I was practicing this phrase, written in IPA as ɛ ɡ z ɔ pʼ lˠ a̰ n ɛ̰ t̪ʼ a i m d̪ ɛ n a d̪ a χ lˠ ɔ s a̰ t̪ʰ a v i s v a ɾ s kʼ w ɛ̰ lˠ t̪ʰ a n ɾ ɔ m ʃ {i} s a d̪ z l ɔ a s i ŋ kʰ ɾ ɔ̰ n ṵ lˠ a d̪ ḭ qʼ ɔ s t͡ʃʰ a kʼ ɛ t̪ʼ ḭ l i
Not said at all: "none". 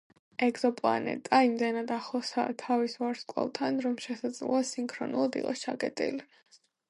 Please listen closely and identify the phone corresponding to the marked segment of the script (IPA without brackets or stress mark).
ɛ